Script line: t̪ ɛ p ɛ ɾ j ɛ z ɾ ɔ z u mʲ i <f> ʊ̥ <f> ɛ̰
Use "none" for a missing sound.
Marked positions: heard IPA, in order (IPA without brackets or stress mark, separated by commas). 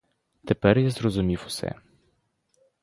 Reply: f, s